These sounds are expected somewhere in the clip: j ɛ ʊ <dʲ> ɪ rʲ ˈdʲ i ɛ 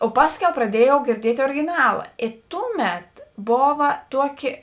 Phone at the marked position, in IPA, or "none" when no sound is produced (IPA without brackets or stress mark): ɡʲ